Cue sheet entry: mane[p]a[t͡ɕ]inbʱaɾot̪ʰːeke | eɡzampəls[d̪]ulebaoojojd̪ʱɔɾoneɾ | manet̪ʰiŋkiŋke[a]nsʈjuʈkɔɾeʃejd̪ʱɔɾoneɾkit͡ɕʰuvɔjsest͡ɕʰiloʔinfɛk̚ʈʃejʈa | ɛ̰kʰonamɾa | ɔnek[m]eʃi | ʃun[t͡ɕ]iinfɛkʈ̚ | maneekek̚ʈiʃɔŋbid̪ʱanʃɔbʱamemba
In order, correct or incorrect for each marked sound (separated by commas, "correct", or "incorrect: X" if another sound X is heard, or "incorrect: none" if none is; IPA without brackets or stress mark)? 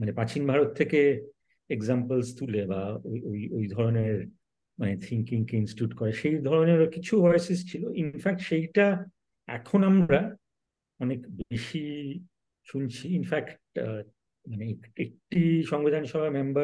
correct, correct, incorrect: t̪, incorrect: i, incorrect: b, incorrect: t͡ɕʰ